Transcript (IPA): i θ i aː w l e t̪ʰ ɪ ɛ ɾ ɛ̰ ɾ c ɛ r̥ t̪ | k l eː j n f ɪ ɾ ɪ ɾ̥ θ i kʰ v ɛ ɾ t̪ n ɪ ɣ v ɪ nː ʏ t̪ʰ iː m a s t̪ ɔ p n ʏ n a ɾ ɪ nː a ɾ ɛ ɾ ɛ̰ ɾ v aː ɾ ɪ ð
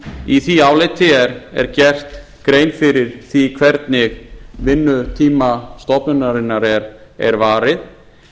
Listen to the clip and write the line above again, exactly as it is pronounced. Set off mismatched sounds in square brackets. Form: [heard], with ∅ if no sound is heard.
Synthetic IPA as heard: i θ i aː w l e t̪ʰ ɪ ɛ ɾ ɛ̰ ɾ c ɛ r̥ t̪ | k [ɾ] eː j n f ɪ ɾ ɪ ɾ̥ θ i kʰ v ɛ ɾ t̪ n ɪ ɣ v ɪ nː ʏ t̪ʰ iː m a s t̪ ɔ p n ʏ n a ɾ ɪ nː a ɾ ɛ ɾ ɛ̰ ɾ v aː ɾ ɪ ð